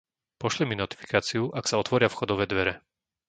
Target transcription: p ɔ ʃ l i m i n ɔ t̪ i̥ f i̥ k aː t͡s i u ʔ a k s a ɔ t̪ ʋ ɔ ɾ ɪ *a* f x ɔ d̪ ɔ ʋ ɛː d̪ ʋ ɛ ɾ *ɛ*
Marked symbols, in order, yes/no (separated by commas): yes, yes